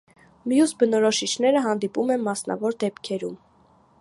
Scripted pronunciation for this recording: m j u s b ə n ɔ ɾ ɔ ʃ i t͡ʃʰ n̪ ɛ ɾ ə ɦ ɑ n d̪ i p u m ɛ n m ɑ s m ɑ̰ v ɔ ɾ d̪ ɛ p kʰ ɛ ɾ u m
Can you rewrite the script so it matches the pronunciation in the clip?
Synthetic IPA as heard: m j u s b ə n ɔ ɾ ɔ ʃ i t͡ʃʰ n̪ ɛ ɾ ə ɦ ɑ n d̪ i p u m ɛ n m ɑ s n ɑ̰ v ɔ ɾ d̪ ɛ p kʰ ɛ ɾ u m

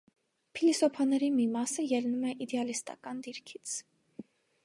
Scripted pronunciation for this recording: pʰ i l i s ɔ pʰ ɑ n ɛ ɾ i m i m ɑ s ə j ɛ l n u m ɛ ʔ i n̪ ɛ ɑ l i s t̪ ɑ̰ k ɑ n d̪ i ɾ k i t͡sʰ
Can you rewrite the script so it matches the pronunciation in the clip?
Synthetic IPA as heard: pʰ i l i s ɔ pʰ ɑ n ɛ ɾ i m i m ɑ s ə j ɛ l n u m ɛ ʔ i d̪ ɛ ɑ l i s t̪ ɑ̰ k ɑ n d̪ i ɾ kʰ i t͡sʰ

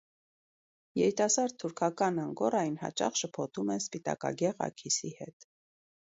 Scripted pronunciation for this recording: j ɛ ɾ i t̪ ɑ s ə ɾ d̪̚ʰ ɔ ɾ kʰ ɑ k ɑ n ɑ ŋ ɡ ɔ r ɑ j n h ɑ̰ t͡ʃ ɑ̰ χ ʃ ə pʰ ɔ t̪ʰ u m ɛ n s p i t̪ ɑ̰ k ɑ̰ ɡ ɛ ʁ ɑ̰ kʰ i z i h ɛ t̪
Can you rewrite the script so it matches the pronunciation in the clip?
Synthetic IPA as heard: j ɛ ɾ i t̪ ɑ s ɑ ɾ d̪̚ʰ u ɾ kʰ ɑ k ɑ n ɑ ŋ ɡ ɔ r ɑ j n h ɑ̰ t͡ʃ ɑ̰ χ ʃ ə pʰ ɔ t̪ʰ u m ɛ n s p i t̪ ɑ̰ k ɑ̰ ɡ ɛ ʁ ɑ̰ kʰ i s i h ɛ t̪

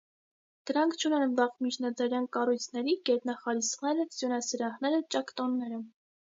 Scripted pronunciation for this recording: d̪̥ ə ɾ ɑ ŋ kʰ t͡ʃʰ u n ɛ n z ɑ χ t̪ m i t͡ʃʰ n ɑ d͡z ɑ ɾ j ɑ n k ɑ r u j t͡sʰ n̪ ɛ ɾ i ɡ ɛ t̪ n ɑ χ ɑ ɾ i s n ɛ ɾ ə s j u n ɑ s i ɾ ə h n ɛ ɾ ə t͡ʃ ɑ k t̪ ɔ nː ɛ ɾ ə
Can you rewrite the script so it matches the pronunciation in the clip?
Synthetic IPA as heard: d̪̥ ə ɾ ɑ ŋ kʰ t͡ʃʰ u n ɛ n v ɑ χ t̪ m i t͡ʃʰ n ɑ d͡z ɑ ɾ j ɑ n k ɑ r u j t͡sʰ n̪ ɛ ɾ i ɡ ɛ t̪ n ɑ χ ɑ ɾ i s n ɛ ɾ ə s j u n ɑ s i ɾ ɑ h n ɛ ɾ ə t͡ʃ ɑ k t̪ ɔ nː ɛ ɾ ə

